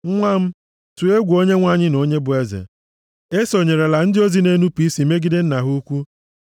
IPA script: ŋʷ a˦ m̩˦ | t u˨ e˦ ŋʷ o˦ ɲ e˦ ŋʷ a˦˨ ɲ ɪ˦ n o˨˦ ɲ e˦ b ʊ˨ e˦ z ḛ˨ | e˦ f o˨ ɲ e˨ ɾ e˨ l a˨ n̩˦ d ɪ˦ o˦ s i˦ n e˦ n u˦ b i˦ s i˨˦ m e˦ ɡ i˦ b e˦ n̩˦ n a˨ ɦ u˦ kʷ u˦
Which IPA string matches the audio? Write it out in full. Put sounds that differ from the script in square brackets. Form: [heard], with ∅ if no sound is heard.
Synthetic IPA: ŋʷ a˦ m̩˦ | t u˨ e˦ [ɡʷ] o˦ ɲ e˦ ŋʷ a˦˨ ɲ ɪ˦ n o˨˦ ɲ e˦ b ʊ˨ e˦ z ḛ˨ | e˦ [s] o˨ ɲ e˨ ɾ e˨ l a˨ n̩˦ d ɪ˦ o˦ [z] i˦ n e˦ n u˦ [p] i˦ s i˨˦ m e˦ ɡ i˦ [d] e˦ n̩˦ n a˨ ɦ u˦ kʷ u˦

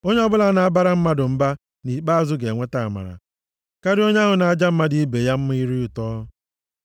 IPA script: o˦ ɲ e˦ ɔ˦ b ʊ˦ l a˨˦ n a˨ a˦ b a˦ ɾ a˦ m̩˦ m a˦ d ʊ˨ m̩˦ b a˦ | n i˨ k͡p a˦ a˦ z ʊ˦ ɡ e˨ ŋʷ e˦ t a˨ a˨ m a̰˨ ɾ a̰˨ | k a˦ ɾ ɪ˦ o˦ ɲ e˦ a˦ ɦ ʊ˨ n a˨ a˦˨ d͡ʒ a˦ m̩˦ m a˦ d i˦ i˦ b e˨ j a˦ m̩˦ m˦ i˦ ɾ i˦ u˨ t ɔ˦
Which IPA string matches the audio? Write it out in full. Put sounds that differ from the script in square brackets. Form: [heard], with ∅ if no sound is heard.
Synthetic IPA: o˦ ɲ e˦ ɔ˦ b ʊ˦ l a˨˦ n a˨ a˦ b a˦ ɾ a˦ m̩˦ m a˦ d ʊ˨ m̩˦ b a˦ | n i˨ k͡p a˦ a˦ z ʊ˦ ɡ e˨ ŋʷ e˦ t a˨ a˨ m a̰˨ ɾ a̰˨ | k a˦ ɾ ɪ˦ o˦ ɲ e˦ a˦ ɦ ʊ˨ n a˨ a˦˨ d͡ʒ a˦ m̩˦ m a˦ d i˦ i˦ b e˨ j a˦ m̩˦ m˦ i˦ ɾ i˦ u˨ t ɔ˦

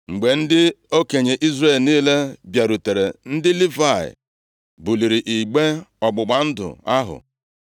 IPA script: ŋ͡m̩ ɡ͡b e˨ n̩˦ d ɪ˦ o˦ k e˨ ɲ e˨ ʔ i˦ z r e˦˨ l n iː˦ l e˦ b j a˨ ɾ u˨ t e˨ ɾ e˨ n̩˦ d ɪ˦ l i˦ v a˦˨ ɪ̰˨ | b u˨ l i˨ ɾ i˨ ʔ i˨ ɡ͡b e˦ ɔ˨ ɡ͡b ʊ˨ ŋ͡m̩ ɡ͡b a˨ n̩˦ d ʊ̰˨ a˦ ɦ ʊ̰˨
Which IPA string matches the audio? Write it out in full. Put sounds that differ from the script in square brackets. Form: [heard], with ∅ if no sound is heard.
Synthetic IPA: ŋ͡m̩ ɡ͡b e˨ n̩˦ d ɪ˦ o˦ k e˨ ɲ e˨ ʔ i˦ z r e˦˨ l n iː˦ l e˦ b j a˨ ɾ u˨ t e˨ ɾ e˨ n̩˦ d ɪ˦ l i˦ v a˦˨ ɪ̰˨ | b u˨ l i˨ ɾ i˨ ʔ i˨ ɡ͡b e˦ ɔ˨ ɡ͡b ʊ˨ [∅] ɡ͡b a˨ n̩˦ d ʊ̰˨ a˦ ɦ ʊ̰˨

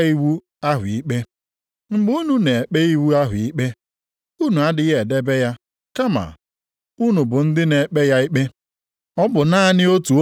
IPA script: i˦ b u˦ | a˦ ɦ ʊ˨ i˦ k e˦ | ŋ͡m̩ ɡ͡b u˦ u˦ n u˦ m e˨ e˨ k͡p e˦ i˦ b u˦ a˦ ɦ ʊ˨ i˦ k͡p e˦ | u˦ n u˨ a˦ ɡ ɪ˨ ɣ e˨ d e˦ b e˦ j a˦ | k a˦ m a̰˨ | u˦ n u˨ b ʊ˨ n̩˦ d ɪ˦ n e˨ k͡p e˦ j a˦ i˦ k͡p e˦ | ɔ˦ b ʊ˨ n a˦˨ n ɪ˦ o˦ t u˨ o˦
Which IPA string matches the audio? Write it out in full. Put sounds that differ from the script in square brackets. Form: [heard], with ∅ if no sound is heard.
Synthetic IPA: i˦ [w] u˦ | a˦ ɦ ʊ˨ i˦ [k͡p] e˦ | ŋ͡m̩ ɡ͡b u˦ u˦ n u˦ [n] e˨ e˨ k͡p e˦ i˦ [w] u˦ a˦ ɦ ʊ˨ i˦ k͡p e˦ | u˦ n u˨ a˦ [d] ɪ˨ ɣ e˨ d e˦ b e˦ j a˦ | k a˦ m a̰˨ | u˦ n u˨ b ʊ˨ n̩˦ d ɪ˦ n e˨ k͡p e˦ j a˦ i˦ k͡p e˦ | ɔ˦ b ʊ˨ n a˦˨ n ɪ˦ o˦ t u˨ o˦

